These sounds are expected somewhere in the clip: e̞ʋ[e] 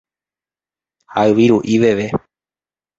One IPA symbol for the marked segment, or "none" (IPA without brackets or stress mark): e